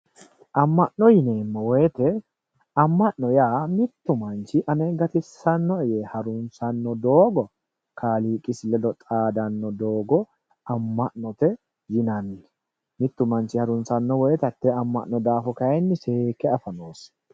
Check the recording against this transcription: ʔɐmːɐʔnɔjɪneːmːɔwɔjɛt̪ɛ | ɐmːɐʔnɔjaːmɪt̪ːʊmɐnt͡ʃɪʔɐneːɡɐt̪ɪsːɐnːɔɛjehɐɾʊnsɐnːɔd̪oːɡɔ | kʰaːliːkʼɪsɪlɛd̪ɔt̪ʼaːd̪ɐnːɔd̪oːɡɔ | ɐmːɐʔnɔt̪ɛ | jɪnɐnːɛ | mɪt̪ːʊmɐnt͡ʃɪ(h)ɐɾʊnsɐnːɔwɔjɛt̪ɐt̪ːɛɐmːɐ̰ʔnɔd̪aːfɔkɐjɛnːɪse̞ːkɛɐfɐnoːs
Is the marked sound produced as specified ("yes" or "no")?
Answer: yes